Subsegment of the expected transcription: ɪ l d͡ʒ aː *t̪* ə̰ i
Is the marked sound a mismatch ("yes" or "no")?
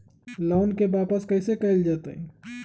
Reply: no